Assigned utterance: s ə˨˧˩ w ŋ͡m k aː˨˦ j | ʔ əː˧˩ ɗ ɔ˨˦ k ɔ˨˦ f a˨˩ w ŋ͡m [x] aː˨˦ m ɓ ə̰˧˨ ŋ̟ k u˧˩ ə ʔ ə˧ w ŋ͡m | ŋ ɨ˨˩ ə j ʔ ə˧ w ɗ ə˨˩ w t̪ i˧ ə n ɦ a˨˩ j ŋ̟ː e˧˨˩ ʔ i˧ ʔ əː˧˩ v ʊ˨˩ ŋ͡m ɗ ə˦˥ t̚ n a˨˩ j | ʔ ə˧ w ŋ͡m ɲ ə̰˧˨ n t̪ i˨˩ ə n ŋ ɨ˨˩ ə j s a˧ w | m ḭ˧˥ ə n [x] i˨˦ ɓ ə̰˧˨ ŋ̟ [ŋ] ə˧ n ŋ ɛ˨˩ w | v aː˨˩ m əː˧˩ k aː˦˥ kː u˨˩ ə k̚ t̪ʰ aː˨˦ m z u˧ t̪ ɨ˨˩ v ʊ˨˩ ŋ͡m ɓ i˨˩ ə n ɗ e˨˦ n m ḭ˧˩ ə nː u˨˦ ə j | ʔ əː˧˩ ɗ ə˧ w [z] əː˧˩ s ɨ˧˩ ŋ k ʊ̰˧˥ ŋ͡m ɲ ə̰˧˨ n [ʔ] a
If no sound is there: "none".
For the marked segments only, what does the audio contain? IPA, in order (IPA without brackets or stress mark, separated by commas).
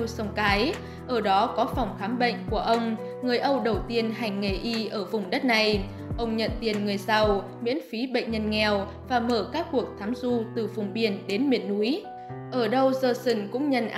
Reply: x, f, ɲ, z, ʔ